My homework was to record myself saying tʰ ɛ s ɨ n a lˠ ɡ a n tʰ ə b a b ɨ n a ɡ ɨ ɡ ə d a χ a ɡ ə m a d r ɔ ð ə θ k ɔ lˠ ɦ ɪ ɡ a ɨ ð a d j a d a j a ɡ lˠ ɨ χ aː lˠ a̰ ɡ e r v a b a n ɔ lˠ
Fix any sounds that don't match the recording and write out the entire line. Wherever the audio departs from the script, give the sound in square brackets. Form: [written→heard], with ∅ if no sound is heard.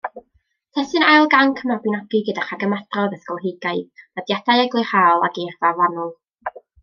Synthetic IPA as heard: tʰ ɛ s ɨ n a lˠ ɡ a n [tʰ→kʰ] ə [b→m] a b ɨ n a ɡ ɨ ɡ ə d a χ a ɡ ə m a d r ɔ ð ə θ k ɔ lˠ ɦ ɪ ɡ a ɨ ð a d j a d a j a ɡ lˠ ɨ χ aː lˠ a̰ ɡ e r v a [b→v] a n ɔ lˠ